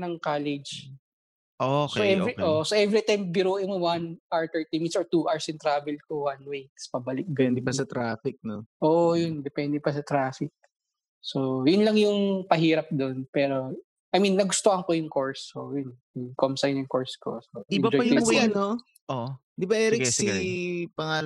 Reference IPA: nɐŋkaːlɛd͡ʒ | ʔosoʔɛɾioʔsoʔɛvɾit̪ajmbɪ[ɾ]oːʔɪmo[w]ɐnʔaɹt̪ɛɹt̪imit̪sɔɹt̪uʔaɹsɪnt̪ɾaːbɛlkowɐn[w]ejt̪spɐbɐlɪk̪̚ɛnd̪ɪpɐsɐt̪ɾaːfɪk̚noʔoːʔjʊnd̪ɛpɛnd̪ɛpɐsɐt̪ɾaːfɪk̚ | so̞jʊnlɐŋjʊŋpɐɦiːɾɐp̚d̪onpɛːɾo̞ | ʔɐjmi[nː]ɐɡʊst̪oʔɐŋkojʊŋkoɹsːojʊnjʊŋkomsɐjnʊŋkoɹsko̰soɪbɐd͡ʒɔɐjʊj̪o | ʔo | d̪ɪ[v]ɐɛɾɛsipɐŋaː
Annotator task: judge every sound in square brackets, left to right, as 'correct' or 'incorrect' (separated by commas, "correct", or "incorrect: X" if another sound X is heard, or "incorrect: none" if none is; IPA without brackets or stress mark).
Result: correct, correct, correct, correct, incorrect: b